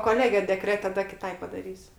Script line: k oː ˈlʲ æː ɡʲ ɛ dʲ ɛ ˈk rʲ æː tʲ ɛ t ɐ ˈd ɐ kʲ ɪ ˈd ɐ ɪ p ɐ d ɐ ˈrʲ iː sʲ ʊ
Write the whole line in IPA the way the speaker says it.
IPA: k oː ˈlʲ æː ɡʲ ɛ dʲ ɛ ˈk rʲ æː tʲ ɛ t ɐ ˈd ɐ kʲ ɪ ˈt ɐ ɪ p ɐ d ɐ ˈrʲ iː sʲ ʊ

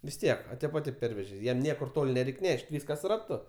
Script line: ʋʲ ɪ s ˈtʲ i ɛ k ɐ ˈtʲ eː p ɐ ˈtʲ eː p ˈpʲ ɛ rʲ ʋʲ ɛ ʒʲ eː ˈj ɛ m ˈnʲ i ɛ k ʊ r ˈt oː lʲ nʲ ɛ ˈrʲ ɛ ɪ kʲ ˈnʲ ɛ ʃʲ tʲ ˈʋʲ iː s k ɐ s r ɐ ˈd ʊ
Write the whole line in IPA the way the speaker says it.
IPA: ʋʲ ɪ s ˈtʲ i ɛ k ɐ ˈtʲ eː p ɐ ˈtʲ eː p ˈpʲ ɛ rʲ ʋʲ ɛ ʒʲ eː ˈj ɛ m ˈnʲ i ɛ k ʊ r ˈt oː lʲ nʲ ɛ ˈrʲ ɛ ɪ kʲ ˈnʲ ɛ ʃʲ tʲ ˈʋʲ iː s k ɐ s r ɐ ˈt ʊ

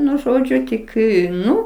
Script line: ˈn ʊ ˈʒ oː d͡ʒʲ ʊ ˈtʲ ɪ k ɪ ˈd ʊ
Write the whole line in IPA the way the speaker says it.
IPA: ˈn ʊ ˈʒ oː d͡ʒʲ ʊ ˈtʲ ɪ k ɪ ˈn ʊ

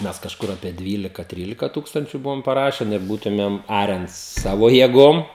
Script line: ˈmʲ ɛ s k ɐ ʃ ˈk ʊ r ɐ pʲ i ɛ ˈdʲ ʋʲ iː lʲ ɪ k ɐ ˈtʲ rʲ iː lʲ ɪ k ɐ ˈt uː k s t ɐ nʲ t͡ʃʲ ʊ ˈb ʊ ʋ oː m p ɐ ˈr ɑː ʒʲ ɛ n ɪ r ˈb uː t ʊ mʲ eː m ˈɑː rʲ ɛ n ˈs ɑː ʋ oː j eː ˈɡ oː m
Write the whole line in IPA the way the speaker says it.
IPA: ˈmʲ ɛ s k ɐ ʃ ˈk ʊ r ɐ pʲ i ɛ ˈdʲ ʋʲ iː lʲ ɪ k ɐ ˈtʲ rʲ iː lʲ ɪ k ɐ ˈt uː k s t ɐ nʲ t͡ʃʲ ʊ ˈb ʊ ʋ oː m p ɐ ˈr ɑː ʃʲ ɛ n ɪ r ˈb uː t ʊ mʲ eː m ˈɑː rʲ ɛ n ˈs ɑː ʋ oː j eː ˈɡ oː m

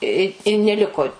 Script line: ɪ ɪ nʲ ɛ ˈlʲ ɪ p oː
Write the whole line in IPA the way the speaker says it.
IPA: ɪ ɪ nʲ ɛ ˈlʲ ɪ k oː

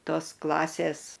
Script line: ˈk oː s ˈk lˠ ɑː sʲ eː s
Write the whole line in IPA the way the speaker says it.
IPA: ˈt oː s ˈk lˠ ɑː sʲ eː s

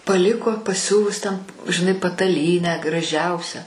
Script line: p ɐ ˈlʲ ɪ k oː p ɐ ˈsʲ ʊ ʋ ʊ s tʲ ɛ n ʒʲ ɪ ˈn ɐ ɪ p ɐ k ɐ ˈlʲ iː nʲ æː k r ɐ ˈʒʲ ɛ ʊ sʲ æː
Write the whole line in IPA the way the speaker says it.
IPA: p ɐ ˈlʲ ɪ k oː p ɐ ˈsʲ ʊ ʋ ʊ s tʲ ɛ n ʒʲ ɪ ˈn ɐ ɪ p ɐ t ɐ ˈlʲ iː nʲ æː ɡ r ɐ ˈʒʲ ɛ ʊ sʲ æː

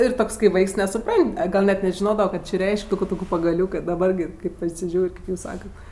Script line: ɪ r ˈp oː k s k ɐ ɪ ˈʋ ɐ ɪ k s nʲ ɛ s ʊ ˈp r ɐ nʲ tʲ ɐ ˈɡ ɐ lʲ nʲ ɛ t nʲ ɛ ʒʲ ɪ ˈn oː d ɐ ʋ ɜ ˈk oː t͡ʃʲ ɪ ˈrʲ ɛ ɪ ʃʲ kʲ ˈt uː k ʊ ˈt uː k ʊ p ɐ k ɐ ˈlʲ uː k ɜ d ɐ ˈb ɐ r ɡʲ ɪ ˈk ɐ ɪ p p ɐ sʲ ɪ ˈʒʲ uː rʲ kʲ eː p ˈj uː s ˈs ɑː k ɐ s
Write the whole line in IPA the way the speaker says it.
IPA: ɪ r ˈt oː k s k ɐ ɪ ˈʋ ɐ ɪ k s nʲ ɛ s ʊ ˈp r ɐ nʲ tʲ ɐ ˈɡ ɐ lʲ nʲ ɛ t nʲ ɛ ʒʲ ɪ ˈn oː d ɐ ʋ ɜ ˈk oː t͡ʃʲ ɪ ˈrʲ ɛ ɪ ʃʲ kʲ ˈt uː k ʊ ˈt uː k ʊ p ɐ ɡ ɐ ˈlʲ uː k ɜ d ɐ ˈb ɐ r ɡʲ ɪ ˈk ɐ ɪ p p ɐ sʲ ɪ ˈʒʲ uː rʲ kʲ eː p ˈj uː s ˈs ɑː k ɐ t

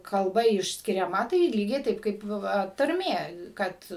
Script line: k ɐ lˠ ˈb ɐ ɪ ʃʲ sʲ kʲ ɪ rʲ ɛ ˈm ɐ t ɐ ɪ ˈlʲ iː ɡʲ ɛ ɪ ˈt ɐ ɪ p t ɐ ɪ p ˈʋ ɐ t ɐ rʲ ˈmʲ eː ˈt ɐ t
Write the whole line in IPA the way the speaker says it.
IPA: k ɐ lˠ ˈb ɐ ɪ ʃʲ sʲ kʲ ɪ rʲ ɛ ˈm ɐ t ɐ ɪ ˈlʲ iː ɡʲ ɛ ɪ ˈt ɐ ɪ p k ɐ ɪ p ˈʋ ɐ t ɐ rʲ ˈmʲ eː ˈk ɐ t

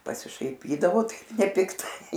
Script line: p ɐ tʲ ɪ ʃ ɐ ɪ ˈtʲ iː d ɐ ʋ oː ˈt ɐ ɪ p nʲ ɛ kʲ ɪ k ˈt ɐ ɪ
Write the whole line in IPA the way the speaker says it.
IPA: p ɐ sʲ ɪ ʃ ɐ ɪ ˈpʲ iː d ɐ ʋ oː ˈt ɐ ɪ p nʲ ɛ pʲ ɪ k ˈt ɐ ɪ

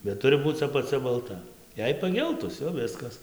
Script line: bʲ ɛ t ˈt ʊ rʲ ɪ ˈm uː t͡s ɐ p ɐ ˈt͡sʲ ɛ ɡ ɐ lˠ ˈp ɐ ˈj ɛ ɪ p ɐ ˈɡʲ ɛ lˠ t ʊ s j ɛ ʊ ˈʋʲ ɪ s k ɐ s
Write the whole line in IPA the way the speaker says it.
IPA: bʲ ɛ t ˈt ʊ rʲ ɪ ˈb uː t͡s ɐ p ɐ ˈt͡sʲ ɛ b ɐ lˠ ˈt ɐ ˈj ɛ ɪ p ɐ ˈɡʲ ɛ lˠ t ʊ s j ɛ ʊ ˈʋʲ ɪ s k ɐ s

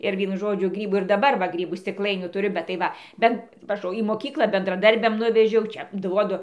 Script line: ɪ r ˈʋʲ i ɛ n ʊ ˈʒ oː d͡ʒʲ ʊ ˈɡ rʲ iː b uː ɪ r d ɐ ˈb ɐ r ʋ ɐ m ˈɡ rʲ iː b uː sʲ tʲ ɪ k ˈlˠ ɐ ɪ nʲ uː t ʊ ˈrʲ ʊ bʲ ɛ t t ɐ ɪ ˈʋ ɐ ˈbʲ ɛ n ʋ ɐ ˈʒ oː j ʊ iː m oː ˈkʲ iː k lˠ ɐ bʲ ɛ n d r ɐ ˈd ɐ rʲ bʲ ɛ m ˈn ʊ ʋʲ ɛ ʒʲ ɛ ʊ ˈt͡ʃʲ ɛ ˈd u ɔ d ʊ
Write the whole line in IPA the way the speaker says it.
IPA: ɪ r ˈʋʲ i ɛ n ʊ ˈʒ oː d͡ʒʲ ʊ ˈɡ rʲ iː b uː ɪ r d ɐ ˈb ɐ r ʋ ɐ ˈɡ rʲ iː b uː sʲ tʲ ɪ k ˈlˠ ɐ ɪ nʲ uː t ʊ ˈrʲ ʊ bʲ ɛ t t ɐ ɪ ˈʋ ɐ ˈbʲ ɛ n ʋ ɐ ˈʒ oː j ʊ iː m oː ˈkʲ iː k lˠ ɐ bʲ ɛ n d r ɐ ˈd ɐ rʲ bʲ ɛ m ˈn ʊ ʋʲ ɛ ʒʲ ɛ ʊ ˈt͡ʃʲ ɛ ˈd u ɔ d ʊ

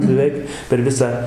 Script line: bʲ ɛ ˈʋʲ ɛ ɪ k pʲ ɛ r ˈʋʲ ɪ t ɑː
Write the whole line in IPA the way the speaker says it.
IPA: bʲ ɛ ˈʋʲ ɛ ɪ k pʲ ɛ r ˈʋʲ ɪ s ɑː

